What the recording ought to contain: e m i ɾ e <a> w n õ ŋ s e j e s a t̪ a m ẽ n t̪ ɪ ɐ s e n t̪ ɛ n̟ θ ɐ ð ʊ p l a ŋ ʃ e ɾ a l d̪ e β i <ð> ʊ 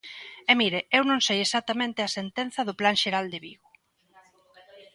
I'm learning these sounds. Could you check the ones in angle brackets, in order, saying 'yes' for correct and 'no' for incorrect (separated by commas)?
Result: no, no